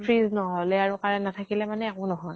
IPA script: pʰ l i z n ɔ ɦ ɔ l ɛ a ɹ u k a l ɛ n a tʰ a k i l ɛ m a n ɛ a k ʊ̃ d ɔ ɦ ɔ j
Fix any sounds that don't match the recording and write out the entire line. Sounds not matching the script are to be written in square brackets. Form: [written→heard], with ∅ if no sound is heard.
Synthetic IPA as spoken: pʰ [l→ɹ] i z n ɔ ɦ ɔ l ɛ a ɹ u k a [l→ɹ] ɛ n a tʰ a k i l ɛ m a n ɛ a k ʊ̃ [d→n] ɔ ɦ ɔ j